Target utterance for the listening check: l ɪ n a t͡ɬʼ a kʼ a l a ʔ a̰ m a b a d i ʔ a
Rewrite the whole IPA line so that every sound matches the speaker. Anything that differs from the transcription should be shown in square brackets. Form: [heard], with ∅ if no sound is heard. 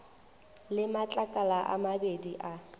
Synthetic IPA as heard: l ɪ [m] a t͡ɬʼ a kʼ a l a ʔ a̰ m a b [e] d i ʔ a